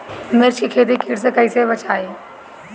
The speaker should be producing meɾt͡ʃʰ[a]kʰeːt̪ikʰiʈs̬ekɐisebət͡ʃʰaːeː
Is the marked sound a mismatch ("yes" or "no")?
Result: yes